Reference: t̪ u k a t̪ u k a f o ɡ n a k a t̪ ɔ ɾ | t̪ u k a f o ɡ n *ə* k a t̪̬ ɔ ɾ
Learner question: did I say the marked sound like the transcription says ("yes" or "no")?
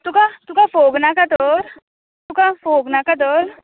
no